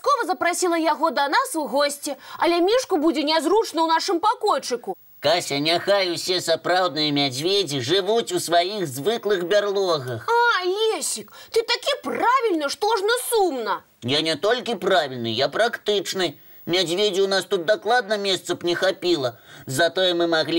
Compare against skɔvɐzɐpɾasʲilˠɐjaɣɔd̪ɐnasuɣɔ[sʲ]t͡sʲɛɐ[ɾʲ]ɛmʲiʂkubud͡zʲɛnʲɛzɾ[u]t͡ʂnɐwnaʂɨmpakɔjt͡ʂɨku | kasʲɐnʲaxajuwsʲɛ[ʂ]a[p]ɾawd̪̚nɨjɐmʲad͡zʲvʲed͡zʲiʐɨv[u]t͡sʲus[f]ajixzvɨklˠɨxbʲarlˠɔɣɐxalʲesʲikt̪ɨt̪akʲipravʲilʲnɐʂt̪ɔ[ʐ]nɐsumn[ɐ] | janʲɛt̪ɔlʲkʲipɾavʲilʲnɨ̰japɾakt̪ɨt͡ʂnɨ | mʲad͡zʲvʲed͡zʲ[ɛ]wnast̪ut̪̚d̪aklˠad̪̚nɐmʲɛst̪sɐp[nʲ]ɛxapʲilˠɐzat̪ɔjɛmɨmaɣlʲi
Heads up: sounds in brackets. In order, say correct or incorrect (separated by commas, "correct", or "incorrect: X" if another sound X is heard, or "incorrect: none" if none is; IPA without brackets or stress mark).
correct, incorrect: lʲ, correct, incorrect: s, correct, correct, incorrect: v, correct, correct, incorrect: i, correct